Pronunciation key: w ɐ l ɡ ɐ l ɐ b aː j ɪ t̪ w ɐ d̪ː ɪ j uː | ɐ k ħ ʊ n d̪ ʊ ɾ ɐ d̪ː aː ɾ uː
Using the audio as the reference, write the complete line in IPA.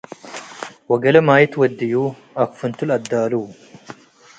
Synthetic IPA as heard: w ɐ ɡ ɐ l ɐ m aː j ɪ t̪ w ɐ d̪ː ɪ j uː | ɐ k f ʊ n t̪ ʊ l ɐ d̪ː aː l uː